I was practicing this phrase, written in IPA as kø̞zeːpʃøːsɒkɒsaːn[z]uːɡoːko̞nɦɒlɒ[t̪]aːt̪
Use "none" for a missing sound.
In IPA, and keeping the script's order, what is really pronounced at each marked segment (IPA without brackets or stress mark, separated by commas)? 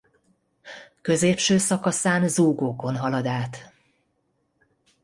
z, d̪